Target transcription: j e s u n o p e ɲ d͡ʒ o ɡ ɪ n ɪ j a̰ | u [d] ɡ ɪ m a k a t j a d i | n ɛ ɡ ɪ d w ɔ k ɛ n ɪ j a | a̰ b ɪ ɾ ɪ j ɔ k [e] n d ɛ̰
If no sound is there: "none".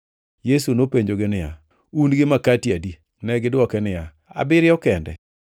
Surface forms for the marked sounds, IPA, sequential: n, ɛ

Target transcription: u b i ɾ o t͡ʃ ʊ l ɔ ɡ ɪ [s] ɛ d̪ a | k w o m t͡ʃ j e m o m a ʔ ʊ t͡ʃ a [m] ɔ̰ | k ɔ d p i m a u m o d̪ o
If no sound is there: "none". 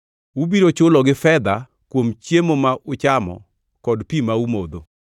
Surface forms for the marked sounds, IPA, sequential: f, m

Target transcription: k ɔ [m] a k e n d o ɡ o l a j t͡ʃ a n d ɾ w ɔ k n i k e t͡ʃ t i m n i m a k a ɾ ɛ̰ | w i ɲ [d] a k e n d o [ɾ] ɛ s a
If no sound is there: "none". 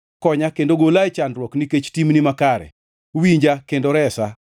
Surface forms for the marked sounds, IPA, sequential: ɲ, d͡ʒ, ɾ

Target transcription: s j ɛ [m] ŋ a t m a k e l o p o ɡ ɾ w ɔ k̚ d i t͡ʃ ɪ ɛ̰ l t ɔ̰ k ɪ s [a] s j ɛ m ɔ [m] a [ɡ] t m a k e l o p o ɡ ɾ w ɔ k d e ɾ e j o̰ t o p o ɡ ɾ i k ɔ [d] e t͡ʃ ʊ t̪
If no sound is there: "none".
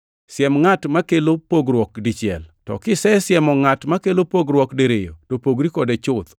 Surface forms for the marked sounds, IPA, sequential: m, ɛ, ŋ, none, d

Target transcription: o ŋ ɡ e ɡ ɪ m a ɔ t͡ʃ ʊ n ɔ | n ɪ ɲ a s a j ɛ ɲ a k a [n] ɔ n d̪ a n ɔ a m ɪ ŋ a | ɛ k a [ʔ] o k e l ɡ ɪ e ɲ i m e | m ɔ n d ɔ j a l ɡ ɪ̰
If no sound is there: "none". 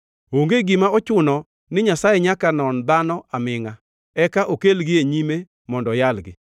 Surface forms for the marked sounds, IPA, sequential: n, ʔ

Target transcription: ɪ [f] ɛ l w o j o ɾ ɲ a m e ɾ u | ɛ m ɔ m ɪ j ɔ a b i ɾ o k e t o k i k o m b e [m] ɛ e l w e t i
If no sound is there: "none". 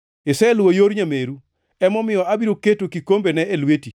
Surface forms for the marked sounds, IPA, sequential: s, n

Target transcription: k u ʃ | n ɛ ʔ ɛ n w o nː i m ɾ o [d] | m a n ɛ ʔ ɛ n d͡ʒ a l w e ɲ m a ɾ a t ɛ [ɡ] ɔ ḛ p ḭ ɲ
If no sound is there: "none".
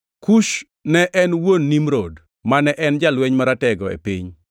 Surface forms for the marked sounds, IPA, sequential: d, ɡ

